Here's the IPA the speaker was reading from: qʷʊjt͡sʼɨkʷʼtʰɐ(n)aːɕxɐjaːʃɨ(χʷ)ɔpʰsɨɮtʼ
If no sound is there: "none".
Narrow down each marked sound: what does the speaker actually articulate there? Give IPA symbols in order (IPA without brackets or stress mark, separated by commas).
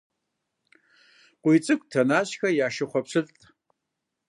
n, χʷ